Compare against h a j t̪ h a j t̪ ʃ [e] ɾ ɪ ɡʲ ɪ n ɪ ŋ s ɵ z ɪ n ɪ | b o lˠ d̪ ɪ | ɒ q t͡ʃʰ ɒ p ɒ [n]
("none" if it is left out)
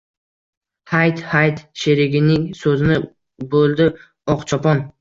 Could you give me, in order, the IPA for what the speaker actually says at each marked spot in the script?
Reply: e, n

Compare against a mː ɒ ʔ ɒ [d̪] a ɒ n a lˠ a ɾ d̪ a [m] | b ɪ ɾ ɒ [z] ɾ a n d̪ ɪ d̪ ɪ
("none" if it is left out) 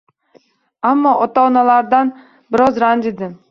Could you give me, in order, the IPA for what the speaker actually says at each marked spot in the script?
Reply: t̪, n, z

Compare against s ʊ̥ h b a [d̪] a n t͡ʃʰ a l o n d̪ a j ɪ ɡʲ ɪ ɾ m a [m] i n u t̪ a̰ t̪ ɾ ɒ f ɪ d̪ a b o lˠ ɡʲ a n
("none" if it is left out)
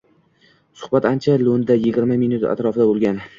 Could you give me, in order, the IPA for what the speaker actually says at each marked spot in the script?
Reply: t̪, m

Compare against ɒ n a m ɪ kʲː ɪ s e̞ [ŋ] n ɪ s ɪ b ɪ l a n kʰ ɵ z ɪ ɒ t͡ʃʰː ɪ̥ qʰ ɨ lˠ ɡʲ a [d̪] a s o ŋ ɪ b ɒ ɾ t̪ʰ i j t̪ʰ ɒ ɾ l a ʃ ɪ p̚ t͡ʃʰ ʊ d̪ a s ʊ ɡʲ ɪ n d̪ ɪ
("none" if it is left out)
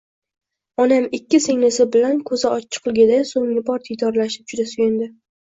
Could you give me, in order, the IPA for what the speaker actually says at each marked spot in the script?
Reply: ŋ, d̪

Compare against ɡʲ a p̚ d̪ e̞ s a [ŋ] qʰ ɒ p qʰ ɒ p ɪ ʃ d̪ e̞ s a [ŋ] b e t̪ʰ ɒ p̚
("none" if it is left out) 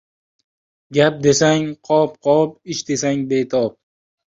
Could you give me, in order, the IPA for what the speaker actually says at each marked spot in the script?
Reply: ŋ, ŋ

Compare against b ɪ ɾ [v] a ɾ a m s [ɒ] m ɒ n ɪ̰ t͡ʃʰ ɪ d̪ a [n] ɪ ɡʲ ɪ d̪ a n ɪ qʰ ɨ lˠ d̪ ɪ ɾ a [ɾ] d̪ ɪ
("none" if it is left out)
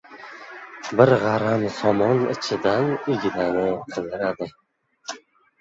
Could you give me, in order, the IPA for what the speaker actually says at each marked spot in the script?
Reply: ʁ, ɒ, n, none

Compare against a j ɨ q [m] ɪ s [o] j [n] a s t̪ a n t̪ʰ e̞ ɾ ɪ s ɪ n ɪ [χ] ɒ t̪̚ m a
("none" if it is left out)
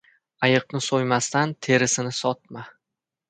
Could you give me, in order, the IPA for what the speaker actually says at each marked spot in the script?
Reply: n, o, m, s

